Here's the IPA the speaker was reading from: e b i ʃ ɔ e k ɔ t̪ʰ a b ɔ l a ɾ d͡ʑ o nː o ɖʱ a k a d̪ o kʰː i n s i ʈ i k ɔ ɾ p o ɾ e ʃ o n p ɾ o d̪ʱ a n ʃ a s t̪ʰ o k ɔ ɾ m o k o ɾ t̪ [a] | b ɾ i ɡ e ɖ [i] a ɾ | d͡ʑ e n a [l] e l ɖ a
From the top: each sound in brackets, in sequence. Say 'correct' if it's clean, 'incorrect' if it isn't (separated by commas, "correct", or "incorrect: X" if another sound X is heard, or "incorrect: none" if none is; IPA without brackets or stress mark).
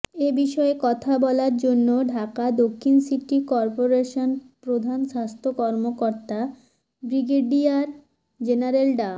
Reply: correct, correct, incorrect: ɾ